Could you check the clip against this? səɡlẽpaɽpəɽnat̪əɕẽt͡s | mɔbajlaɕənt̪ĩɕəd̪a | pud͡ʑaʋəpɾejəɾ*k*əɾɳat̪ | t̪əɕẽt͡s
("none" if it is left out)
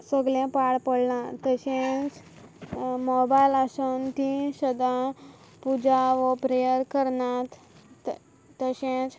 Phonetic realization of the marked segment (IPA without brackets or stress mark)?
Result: k